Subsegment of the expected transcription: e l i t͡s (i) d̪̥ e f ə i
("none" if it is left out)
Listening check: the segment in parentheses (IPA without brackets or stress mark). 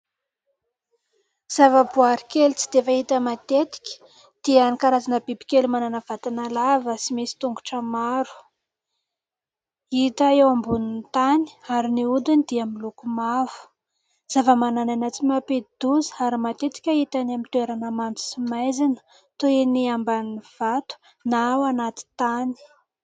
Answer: i